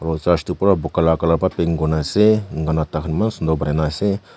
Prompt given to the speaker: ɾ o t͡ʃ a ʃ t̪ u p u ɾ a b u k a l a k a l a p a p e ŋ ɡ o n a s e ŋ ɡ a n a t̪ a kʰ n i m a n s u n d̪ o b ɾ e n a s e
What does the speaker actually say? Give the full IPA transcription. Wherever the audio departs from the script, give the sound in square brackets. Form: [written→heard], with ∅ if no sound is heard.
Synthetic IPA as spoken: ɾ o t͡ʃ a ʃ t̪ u p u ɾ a b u k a l a k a l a p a p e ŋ ɡ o n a s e ŋ ɡ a n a t̪ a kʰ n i m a n s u n d̪ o b ɾ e n a s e